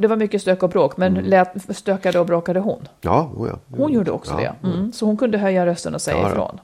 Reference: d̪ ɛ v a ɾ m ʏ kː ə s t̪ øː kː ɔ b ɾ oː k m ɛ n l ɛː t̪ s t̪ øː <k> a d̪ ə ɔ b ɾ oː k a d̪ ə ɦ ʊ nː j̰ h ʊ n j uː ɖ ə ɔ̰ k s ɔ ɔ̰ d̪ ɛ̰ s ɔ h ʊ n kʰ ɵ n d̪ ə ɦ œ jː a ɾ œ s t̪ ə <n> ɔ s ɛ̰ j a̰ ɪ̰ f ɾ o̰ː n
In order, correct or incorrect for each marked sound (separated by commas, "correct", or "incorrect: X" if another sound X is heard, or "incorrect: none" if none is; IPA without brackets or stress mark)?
correct, correct